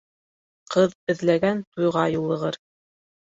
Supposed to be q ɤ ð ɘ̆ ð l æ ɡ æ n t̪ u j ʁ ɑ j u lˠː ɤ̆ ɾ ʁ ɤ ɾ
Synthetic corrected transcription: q ɤ ð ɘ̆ ð l æ ɡ æ n t̪ u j ʁ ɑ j u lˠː ɤ̆ ʁ ɤ ɾ